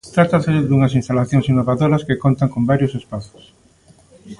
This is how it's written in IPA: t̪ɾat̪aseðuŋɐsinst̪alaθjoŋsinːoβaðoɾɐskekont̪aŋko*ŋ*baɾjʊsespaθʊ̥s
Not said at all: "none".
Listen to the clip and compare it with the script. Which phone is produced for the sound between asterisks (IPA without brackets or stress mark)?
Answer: m